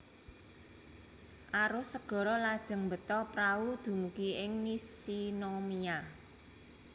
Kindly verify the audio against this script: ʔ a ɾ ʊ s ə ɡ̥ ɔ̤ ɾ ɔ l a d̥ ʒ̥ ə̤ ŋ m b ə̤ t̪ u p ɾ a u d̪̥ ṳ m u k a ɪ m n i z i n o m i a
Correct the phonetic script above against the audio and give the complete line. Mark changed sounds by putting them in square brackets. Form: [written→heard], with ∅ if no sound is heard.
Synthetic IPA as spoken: ʔ a ɾ ʊ s ə ɡ̥ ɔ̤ ɾ ɔ l a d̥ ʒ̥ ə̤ ŋ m b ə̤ t̪ [u→ɔ] p ɾ a u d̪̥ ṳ m u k [a→i] ɪ [m→ŋ] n i [z→s] i n o m i a